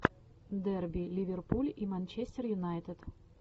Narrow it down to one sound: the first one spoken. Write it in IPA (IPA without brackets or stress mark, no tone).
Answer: d̪